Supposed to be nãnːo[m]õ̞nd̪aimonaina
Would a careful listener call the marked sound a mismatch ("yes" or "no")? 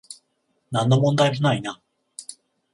no